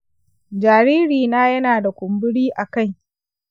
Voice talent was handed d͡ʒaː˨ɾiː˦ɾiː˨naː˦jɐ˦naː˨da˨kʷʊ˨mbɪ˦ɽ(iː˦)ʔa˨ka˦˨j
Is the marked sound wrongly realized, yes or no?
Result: no